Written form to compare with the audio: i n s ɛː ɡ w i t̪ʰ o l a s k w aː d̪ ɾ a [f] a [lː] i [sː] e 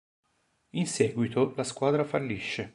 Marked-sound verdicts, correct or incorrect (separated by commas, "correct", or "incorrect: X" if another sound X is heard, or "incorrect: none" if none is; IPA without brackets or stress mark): correct, correct, incorrect: ʃː